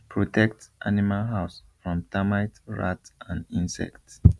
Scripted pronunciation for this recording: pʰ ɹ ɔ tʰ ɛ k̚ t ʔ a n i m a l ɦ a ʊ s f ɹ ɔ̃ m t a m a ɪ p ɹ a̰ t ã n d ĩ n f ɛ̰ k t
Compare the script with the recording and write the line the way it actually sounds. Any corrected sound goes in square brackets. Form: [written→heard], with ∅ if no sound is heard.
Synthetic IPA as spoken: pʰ ɹ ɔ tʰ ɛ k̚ t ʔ a n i m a l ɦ a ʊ s f ɹ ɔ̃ m t a m a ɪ [p→t] ɹ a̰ t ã n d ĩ n [f→s] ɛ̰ k t